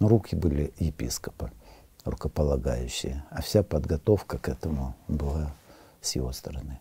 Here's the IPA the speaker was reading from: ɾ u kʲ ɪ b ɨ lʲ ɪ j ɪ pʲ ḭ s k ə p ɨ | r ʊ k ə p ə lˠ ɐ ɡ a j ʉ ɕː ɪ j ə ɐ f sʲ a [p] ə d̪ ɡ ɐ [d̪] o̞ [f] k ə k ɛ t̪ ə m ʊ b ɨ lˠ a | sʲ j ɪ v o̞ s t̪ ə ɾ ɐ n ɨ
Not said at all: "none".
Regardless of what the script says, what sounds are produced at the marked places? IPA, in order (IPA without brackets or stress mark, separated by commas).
p, t̪, f